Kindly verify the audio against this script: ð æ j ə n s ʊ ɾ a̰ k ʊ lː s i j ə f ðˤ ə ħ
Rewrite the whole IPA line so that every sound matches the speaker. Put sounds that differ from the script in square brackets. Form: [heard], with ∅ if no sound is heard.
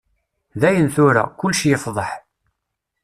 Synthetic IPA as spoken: ð æ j ə n [θ] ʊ ɾ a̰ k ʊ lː [ʃ] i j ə f ðˤ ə ħ